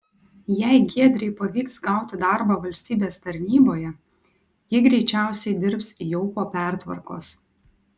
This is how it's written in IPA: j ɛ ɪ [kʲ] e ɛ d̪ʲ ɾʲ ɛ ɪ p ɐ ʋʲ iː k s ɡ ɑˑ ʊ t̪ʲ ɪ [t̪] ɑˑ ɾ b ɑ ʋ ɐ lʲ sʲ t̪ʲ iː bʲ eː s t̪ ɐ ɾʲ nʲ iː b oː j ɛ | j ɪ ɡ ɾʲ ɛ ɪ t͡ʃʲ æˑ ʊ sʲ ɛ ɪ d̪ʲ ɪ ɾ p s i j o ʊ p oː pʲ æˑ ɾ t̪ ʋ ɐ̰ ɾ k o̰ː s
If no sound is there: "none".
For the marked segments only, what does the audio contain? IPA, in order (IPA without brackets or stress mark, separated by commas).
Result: ɡʲ, d̪